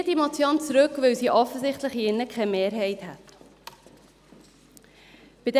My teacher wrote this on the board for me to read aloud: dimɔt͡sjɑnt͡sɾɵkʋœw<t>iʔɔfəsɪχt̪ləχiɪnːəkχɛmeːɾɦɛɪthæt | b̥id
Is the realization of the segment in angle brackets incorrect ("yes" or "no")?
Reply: yes